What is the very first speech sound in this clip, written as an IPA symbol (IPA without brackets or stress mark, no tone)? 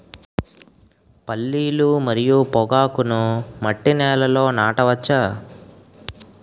p